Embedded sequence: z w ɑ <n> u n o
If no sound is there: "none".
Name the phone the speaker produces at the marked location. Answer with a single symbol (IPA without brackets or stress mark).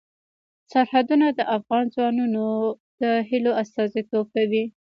n